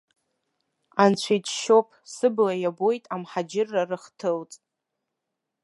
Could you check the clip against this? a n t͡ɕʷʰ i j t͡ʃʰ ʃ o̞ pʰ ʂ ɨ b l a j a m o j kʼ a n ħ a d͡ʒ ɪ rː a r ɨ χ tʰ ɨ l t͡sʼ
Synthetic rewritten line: a n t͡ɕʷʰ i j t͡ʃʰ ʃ o̞ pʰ s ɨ b l a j a b o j tʼ a m ħ a d͡ʒ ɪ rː a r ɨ χ tʰ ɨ l t͡sʼ